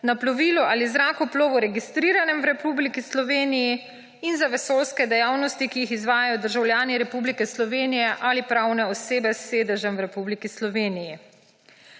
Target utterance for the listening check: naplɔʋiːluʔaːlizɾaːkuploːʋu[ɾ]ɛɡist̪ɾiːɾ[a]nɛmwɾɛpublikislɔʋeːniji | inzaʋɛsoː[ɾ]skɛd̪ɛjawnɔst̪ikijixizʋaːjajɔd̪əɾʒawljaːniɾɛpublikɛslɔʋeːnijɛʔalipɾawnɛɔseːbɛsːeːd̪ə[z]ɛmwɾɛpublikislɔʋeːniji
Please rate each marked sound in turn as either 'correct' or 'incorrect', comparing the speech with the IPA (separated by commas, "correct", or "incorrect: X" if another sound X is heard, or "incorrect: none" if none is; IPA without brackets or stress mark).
correct, correct, incorrect: l, incorrect: ʒ